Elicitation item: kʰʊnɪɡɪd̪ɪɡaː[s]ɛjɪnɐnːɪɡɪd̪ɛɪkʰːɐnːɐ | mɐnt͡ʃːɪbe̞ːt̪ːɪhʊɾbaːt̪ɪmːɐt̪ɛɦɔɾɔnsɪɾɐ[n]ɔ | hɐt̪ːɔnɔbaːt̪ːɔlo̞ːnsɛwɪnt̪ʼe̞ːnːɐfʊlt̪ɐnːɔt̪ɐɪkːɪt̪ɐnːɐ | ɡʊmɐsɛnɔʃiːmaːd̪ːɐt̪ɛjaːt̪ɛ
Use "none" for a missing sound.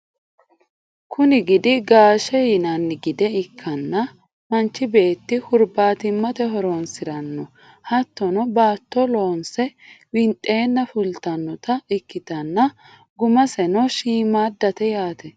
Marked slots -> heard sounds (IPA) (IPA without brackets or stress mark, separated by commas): ʃ, nː